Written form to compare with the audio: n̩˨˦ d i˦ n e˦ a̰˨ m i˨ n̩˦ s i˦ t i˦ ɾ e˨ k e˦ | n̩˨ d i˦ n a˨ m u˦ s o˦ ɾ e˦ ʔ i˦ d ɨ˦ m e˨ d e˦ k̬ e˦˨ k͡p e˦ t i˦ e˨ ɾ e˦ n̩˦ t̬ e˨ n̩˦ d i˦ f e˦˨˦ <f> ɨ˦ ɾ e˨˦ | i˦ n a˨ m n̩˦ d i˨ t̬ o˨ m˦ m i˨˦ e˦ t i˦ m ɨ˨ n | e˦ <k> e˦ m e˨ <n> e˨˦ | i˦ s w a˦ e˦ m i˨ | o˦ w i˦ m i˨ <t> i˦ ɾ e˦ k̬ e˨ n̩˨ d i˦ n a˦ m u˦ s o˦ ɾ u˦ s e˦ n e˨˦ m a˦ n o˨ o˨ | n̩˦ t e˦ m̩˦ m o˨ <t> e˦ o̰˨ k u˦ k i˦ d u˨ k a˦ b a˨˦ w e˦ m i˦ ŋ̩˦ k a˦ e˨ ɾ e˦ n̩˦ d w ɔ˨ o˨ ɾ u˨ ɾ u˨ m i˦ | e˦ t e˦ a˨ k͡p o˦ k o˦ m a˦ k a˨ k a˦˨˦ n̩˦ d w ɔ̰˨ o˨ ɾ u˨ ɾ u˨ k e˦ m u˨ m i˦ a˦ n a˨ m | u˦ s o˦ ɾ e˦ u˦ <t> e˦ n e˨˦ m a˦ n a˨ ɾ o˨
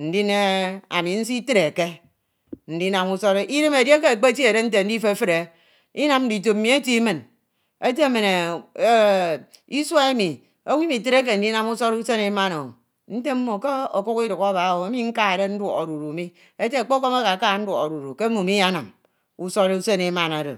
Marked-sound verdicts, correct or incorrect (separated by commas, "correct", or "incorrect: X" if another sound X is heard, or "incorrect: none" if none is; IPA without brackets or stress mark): correct, incorrect: t, correct, correct, incorrect: k, incorrect: s